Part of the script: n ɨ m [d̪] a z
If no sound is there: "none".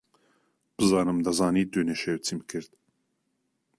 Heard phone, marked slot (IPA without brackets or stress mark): d̪